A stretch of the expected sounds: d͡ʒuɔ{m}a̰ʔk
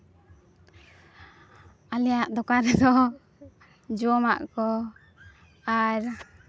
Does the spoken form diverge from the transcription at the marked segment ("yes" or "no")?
no